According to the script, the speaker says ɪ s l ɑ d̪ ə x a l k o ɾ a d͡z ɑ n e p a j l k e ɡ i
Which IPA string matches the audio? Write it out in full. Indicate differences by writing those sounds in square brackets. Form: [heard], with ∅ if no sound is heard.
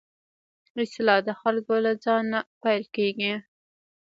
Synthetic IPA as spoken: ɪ s l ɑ d̪ ə x a l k o [l] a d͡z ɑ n [a] p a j l k e ɡ i